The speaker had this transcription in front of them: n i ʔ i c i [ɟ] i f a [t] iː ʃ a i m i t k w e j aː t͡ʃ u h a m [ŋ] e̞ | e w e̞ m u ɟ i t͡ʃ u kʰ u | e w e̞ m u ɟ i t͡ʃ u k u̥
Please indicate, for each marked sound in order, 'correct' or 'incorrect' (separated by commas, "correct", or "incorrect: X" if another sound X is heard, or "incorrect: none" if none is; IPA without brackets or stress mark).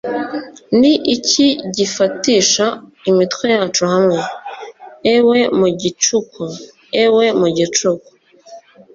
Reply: correct, correct, correct